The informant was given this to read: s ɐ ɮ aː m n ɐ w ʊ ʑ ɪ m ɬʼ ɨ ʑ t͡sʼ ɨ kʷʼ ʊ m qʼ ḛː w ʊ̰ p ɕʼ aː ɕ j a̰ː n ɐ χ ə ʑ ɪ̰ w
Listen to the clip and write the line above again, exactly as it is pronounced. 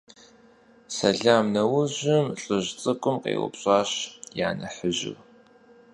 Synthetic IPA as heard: s ɐ ɮ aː m n ɐ w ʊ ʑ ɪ m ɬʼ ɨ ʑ t͡sʼ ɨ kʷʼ ʊ m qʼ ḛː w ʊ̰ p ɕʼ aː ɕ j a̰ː n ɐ ħ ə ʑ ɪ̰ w